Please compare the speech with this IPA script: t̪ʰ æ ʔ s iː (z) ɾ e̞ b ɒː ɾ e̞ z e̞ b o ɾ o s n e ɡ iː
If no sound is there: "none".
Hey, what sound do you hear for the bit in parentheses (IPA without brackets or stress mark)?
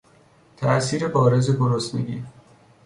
none